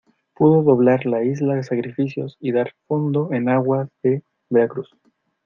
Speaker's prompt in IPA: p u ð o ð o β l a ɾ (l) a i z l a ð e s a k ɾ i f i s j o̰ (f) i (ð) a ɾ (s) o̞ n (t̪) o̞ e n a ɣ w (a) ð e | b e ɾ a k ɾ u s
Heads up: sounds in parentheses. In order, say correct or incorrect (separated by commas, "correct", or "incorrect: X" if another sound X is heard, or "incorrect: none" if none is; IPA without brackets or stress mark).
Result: correct, incorrect: s, correct, incorrect: f, incorrect: d̪, correct